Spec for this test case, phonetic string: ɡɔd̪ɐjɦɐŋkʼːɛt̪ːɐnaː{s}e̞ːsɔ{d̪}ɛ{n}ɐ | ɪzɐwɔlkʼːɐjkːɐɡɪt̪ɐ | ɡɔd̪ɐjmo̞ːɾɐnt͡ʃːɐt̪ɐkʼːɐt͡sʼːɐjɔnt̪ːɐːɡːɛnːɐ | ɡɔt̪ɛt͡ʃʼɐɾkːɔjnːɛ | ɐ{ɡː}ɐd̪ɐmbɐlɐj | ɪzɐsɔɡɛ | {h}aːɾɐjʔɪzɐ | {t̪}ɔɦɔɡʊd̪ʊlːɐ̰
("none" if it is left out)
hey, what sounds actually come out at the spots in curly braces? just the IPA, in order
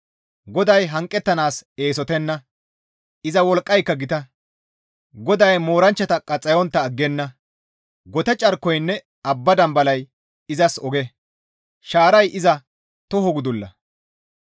s, t̪, nː, bː, ʃ, t̪

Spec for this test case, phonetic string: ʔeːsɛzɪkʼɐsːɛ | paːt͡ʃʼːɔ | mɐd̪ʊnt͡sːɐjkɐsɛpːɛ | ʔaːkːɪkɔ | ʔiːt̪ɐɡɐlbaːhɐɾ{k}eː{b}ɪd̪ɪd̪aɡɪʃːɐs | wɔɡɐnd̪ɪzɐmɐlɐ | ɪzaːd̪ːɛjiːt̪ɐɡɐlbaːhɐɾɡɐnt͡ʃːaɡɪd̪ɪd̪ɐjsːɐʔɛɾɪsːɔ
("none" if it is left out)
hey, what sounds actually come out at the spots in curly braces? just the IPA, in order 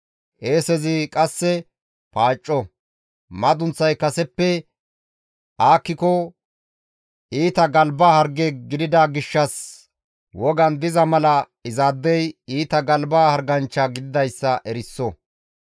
ɡ, ɡ

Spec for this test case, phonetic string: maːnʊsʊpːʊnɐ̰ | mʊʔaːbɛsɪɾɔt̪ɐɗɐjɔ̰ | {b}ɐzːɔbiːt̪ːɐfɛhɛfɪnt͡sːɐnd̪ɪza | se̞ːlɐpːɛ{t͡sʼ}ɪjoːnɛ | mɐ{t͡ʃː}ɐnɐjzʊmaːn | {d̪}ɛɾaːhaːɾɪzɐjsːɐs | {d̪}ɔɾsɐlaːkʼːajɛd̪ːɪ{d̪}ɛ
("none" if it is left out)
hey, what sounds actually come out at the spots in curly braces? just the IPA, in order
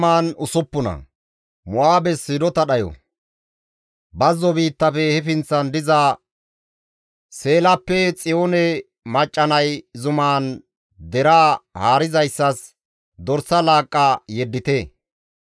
b, t͡sʼ, t͡ʃʼː, d̪, d̪, t̪

